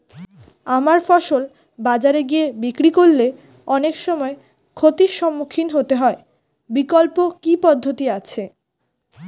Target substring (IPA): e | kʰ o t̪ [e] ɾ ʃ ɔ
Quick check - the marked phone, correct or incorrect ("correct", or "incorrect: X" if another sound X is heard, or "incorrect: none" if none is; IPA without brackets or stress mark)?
incorrect: i